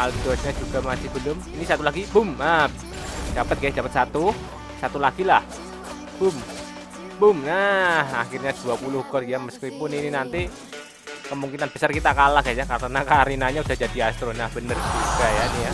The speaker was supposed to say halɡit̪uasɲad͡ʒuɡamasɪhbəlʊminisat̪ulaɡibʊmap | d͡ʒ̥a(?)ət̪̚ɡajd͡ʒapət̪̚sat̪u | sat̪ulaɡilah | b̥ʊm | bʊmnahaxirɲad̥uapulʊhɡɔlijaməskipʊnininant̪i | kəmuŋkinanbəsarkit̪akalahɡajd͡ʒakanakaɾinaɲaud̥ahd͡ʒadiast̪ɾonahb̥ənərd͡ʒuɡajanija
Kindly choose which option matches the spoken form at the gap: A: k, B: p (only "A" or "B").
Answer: B